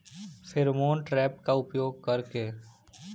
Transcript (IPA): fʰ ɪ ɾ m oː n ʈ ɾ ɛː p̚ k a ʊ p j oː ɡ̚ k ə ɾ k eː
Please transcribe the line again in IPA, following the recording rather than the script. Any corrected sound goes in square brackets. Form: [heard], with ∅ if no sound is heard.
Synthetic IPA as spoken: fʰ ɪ ɾ m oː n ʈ ɾ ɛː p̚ k a ʊ p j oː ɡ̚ k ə ɾ k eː